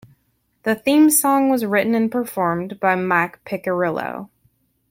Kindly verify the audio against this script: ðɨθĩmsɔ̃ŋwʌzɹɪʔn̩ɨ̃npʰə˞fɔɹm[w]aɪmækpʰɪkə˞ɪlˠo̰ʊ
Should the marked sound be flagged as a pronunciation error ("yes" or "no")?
yes